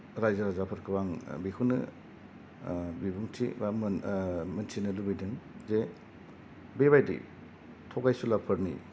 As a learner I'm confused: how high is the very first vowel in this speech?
low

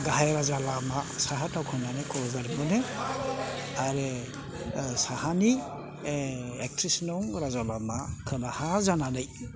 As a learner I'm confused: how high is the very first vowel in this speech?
low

